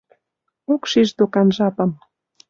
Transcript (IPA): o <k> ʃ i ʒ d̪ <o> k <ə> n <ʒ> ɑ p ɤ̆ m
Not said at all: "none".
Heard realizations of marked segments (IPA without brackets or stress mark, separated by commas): k, o, ɑ, ʒ